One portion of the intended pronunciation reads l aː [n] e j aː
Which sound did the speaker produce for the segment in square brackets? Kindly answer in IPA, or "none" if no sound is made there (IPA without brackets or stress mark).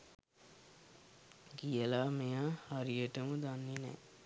m